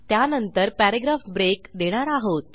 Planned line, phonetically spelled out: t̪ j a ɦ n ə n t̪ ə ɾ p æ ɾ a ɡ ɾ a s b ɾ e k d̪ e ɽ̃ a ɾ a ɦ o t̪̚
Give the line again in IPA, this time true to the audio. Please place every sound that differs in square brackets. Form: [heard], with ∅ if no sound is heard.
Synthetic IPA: t̪ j a [∅] n ə n t̪ ə ɾ p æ ɾ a ɡ ɾ a [f] b ɾ e k d̪ e ɽ̃ a ɾ a ɦ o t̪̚